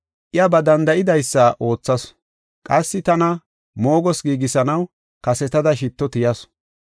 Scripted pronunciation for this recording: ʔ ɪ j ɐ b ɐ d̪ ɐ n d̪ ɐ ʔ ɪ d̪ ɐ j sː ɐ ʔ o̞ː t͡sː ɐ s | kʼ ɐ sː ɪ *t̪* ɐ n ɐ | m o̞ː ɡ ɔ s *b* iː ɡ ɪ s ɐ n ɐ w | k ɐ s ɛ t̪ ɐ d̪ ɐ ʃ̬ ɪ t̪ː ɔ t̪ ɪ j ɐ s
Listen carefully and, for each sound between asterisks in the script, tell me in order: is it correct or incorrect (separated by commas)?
correct, incorrect